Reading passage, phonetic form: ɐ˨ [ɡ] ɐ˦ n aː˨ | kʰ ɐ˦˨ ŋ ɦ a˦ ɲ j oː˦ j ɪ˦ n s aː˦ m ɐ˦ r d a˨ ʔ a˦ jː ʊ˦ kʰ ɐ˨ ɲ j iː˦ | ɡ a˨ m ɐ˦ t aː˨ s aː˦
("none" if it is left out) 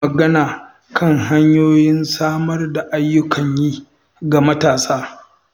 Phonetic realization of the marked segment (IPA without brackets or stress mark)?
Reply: ɡ